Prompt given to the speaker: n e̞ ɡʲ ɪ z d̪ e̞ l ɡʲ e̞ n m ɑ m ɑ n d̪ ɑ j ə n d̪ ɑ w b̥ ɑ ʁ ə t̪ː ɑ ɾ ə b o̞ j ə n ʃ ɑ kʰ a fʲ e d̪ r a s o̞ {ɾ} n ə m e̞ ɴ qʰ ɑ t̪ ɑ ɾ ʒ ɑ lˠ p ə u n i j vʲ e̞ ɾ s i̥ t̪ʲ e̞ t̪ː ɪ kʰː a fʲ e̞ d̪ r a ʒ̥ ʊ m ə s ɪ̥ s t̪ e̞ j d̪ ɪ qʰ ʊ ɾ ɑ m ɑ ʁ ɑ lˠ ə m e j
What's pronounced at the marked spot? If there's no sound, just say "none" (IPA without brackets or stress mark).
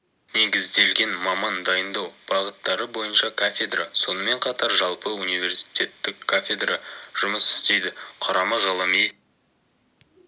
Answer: none